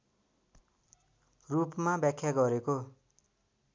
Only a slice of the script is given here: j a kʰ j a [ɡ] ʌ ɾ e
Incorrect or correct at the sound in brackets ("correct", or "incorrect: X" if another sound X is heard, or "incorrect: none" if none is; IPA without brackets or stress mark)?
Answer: correct